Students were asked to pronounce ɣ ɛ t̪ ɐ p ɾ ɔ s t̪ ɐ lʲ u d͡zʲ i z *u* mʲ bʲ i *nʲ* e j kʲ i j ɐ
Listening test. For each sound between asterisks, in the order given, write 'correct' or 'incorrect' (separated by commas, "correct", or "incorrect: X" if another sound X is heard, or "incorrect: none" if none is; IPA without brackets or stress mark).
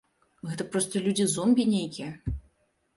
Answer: incorrect: ɔ, correct